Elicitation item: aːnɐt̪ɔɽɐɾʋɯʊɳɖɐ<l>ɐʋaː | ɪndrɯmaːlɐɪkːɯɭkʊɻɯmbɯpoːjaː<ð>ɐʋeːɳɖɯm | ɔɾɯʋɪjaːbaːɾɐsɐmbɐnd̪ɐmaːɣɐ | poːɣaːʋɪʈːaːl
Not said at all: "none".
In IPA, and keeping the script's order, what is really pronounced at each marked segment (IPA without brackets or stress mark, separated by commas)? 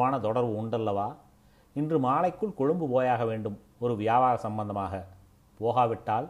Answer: lː, ɣ